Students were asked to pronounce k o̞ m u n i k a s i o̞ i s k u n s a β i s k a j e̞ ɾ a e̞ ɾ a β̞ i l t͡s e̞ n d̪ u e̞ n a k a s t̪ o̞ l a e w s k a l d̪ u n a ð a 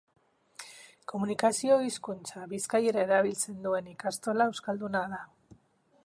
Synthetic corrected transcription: k o̞ m u n i k a s i o̞ i s k u n t͡s a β i s k a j e̞ ɾ a e̞ ɾ a β̞ i l t͡s e̞ n d̪ u e̞ n i k a s t̪ o̞ l a e w s k a l d̪ u n a ð a